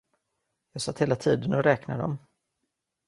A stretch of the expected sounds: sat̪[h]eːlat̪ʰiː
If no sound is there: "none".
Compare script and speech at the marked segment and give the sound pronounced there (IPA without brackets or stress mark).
h